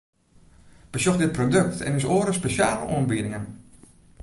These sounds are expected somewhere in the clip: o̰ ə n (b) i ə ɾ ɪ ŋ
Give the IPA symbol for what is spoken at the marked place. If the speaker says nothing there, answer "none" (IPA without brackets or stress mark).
b